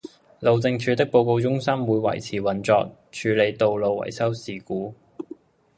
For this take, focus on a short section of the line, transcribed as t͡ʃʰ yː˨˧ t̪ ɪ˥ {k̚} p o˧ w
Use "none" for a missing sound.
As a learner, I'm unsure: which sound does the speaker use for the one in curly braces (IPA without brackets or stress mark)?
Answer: k̚